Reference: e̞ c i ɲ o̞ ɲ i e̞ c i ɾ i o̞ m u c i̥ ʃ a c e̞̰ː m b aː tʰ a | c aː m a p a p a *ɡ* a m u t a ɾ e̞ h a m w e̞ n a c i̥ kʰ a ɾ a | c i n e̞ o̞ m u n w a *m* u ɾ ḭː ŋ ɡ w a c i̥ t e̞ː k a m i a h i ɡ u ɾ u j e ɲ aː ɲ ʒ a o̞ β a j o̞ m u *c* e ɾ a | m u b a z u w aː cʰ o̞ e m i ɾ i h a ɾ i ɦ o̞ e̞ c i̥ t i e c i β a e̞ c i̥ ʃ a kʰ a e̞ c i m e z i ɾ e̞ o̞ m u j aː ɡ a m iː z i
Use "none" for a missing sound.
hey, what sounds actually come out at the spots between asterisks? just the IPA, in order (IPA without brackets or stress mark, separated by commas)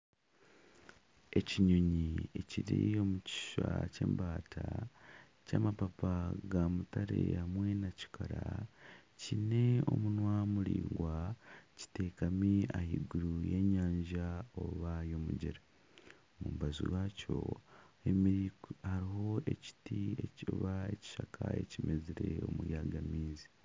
ɡ, m, ɟ